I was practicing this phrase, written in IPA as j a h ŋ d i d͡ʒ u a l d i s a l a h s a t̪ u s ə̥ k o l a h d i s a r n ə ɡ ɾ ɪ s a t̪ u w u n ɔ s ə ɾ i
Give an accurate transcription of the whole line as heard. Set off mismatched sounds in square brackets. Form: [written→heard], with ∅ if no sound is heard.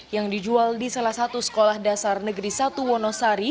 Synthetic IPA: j a [h→∅] ŋ d i d͡ʒ u a l d i s a l a h s a t̪ u s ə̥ k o l a h d [i→a] s a r n ə ɡ ɾ [ɪ→i] s a t̪ u w [u→ɔ] n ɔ s [ə→a] ɾ i